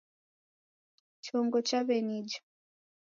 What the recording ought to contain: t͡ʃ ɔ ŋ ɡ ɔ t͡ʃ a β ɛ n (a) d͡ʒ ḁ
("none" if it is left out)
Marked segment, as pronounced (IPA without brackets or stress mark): i